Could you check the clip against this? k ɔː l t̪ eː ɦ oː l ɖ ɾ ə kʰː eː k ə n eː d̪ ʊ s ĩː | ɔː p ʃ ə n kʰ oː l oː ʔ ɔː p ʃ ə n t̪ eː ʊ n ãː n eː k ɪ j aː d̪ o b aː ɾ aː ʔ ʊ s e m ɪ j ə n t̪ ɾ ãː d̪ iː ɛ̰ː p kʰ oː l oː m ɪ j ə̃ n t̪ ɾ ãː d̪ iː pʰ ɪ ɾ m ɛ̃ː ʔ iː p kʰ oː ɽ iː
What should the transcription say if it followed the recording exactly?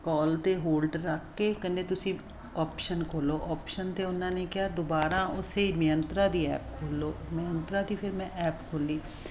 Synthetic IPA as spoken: k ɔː l t̪ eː ɦ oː l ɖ ɾ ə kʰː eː k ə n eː t̪ ʊ s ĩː | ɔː p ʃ ə n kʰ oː l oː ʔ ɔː p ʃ ə n t̪ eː ʊ n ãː n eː k ɪ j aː d̪ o b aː ɾ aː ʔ ʊ s e m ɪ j ə n t̪ ɾ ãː d̪ iː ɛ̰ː p kʰ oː l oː m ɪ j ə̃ n t̪ ɾ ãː d̪ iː pʰ ɪ ɾ m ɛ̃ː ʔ ɛː p kʰ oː l iː